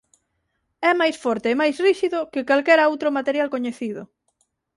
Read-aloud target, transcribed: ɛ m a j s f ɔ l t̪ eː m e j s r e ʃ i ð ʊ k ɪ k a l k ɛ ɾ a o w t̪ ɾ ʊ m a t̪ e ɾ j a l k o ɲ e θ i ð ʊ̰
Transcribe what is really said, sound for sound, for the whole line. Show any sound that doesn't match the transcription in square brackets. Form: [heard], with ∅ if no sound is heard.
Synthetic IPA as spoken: ɛ m a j s f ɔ [ɾ] t̪ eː m [a] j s r [i] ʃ i ð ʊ k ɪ k a l k ɛ ɾ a o w t̪ ɾ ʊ m a t̪ e ɾ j a l k o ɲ e θ i ð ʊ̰